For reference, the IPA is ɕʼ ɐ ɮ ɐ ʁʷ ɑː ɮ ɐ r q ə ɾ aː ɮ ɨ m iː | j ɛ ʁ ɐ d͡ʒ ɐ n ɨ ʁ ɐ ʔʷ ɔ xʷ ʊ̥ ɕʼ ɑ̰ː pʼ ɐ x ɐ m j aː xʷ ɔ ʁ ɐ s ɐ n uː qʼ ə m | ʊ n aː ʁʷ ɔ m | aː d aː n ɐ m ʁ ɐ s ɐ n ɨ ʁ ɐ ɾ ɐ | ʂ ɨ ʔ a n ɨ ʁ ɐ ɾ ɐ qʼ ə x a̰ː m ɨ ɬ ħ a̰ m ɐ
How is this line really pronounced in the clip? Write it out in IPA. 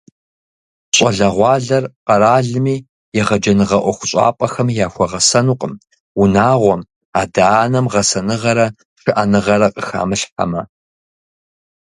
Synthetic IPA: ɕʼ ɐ ɮ ɐ ʁʷ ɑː ɮ ɐ r q ɐ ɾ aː ɮ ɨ m iː | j ɛ ʁ ɐ d͡ʒ ɐ n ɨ ʁ ɐ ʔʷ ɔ xʷ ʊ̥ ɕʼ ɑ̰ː pʼ ɐ x ɐ m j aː xʷ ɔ ʁ ɐ s ɐ n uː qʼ ə m | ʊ n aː ʁʷ ɔ m | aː d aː n ɐ m ʁ ɐ s ɐ n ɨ ʁ ɐ ɾ ɐ | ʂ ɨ ʔ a n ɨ ʁ ɐ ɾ ɐ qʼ ə x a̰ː m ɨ ɬ ħ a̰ m ɐ